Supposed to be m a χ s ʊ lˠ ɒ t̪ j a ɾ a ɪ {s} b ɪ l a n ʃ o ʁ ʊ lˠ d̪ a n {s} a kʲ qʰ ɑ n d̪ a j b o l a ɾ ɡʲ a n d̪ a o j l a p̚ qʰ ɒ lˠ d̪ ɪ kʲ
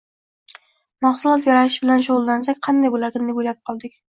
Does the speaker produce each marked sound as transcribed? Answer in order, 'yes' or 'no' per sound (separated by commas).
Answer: no, yes